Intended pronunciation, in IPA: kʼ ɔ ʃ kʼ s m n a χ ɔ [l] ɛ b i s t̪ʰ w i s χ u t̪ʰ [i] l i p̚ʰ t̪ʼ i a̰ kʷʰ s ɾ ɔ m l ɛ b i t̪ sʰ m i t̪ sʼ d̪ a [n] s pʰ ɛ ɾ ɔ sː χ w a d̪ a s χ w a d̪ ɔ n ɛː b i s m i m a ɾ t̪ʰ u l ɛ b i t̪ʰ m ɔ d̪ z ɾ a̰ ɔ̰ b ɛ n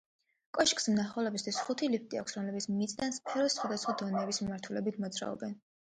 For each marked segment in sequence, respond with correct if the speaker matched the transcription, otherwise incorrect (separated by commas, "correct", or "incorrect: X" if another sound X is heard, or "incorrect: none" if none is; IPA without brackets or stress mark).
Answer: correct, correct, correct